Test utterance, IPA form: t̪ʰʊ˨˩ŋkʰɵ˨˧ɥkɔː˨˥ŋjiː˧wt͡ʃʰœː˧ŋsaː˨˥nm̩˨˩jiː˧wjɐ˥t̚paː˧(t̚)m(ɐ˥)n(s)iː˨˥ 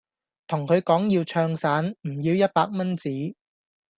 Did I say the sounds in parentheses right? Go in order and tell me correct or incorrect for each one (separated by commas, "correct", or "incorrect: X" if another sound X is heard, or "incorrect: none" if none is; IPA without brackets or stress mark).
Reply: incorrect: k̚, correct, incorrect: t͡s